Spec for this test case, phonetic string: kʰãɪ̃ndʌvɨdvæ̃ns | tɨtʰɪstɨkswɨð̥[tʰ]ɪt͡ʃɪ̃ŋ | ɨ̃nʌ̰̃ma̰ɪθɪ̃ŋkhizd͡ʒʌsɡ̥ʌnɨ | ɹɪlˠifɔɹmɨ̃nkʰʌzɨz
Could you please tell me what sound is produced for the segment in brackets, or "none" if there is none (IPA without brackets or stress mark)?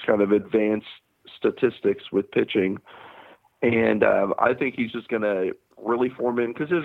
pʰ